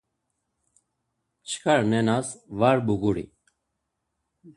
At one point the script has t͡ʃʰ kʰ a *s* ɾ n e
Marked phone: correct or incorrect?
incorrect